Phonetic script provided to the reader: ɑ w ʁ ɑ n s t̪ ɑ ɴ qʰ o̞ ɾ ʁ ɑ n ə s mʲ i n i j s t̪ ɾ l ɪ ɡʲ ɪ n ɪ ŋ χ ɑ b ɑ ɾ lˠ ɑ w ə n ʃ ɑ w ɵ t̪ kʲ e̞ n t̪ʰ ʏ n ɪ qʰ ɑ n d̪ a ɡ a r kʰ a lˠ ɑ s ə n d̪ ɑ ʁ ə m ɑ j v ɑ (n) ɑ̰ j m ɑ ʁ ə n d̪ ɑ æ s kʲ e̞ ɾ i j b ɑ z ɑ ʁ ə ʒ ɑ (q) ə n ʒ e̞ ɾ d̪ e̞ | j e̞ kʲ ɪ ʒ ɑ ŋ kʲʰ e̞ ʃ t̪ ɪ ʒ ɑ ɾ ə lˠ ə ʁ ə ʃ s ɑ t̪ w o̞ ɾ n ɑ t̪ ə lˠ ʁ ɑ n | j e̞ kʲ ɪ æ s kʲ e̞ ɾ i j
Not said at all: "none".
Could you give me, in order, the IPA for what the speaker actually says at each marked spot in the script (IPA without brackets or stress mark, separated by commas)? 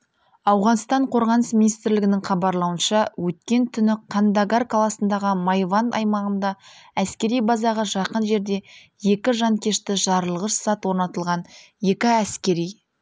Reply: n, q